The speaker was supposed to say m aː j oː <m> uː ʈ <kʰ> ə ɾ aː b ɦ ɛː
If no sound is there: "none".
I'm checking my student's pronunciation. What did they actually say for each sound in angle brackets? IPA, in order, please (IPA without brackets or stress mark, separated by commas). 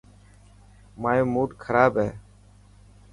m, kʰ